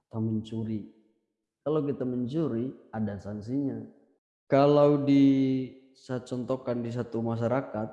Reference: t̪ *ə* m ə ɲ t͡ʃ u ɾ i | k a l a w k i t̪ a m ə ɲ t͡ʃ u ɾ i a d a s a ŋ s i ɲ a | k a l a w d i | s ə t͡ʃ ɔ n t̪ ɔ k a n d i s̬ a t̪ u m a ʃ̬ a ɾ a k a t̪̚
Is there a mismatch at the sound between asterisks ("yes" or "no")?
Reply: yes